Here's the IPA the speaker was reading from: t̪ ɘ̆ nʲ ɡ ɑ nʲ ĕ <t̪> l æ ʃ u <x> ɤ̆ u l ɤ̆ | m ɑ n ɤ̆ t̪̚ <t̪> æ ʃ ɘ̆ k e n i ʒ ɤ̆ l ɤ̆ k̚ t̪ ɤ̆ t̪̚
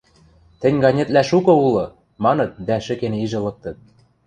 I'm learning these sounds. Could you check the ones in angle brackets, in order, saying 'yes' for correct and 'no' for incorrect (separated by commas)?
yes, no, no